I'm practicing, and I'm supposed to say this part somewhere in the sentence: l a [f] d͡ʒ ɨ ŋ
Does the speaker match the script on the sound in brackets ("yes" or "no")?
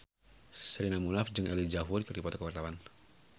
yes